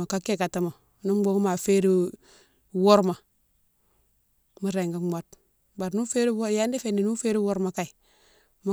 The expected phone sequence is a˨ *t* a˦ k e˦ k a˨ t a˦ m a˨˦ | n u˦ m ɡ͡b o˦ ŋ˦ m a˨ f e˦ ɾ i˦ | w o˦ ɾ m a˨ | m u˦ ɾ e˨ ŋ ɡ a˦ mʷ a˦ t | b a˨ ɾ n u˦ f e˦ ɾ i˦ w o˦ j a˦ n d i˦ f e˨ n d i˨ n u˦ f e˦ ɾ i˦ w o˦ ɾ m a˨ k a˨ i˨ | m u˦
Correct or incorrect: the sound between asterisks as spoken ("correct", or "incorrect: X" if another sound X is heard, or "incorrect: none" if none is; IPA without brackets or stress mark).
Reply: incorrect: k